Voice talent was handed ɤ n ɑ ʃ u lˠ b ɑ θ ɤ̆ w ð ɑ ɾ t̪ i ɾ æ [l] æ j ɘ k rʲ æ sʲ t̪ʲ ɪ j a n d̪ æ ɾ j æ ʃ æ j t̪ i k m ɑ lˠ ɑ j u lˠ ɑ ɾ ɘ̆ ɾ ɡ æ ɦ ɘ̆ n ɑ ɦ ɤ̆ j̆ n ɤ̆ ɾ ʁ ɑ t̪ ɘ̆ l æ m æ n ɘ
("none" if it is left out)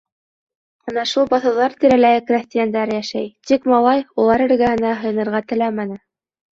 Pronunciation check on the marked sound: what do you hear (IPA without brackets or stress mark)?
l